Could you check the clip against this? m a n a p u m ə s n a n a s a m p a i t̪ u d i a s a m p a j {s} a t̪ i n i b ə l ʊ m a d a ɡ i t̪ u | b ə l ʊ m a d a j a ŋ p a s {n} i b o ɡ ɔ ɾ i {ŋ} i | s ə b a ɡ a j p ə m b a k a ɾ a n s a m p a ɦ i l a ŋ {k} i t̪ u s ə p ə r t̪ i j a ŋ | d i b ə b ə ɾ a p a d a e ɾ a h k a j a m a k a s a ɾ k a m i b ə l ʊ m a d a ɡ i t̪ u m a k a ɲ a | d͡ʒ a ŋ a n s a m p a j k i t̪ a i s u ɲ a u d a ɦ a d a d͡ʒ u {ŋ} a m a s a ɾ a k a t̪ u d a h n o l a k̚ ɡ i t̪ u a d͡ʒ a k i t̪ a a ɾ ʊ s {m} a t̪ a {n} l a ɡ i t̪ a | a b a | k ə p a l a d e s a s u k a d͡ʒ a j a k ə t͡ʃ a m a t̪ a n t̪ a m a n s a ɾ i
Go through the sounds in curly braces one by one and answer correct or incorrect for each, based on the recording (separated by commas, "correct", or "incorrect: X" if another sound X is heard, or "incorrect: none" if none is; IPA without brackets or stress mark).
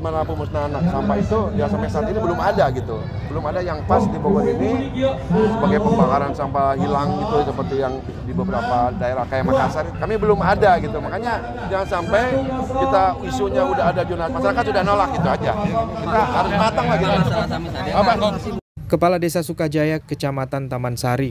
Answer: correct, incorrect: d, incorrect: n, incorrect: ɡ, incorrect: n, correct, incorrect: ŋ